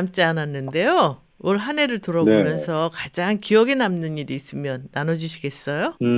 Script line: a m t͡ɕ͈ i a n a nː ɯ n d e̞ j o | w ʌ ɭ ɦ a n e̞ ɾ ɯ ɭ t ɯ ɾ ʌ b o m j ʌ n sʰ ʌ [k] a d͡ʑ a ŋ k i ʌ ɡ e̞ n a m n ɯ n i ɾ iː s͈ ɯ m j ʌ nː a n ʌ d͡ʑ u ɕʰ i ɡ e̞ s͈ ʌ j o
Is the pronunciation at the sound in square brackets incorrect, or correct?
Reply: correct